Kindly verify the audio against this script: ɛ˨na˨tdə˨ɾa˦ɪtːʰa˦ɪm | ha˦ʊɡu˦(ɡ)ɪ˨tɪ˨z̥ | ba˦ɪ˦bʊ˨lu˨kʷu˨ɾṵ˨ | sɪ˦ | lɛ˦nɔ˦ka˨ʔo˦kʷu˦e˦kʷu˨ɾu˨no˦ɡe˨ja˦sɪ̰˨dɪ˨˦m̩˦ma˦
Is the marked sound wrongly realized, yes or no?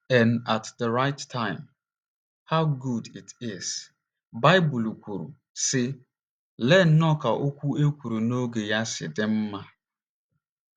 yes